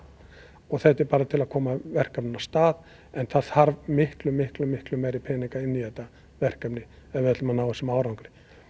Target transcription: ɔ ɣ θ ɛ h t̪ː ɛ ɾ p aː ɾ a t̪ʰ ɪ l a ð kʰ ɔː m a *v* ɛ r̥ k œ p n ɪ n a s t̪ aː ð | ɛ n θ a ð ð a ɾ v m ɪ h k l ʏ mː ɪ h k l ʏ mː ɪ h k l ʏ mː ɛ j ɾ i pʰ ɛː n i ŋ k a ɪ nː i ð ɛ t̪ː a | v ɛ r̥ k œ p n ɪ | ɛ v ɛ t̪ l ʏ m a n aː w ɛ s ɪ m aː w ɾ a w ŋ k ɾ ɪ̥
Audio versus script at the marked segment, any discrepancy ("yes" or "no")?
no